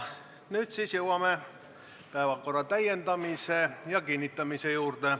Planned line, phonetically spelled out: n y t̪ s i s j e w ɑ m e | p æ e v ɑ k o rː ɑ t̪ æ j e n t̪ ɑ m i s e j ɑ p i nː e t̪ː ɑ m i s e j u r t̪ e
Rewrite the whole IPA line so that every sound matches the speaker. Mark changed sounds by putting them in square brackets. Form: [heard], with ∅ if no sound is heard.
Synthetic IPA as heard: n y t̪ s i s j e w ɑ m e | p æ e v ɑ k o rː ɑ t̪ æ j e n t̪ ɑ m i s e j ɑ [k] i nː [i] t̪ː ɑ m i s e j [uː] r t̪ e